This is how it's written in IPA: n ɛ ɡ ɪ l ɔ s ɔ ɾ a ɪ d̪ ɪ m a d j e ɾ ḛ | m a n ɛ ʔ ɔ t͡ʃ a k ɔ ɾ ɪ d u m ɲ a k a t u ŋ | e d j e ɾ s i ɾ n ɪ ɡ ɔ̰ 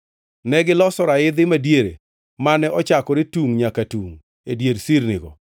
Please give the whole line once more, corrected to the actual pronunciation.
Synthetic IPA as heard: n ɛ ɡ ɪ l ɔ s ɔ ɾ a ɪ d̪ ɪ m a d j e ɾ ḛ | m a n ɛ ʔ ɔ t͡ʃ a k ɔ ɾ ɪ t u ŋ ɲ a k a t u ŋ | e d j e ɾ s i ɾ n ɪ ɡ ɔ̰